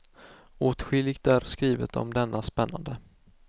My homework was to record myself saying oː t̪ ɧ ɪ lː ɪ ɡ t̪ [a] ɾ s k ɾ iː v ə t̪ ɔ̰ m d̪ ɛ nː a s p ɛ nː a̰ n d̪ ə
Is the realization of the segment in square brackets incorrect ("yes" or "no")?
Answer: yes